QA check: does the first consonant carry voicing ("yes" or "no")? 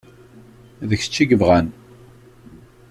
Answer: yes